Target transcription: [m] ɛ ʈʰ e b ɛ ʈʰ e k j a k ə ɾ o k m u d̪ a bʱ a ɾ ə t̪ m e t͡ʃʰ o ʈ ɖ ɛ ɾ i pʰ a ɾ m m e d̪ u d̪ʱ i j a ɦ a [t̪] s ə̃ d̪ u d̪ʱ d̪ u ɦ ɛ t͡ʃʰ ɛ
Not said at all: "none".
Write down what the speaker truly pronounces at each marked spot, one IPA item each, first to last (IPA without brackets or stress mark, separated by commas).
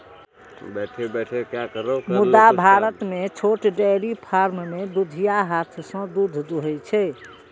b, t̪ʰ